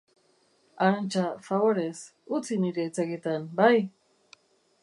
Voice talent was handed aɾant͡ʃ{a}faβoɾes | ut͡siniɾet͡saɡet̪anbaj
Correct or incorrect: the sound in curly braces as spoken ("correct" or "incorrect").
correct